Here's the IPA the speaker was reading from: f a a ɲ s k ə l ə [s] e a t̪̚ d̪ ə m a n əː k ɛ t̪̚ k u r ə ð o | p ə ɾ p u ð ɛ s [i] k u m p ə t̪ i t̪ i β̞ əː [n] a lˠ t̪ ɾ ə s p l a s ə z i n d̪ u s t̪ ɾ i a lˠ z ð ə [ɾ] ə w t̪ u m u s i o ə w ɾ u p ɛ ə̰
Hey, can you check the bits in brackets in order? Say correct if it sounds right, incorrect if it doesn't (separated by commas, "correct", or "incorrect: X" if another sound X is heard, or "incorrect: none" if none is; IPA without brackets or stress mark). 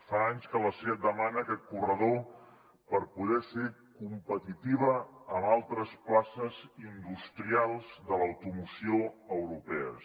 correct, incorrect: e, incorrect: m, incorrect: l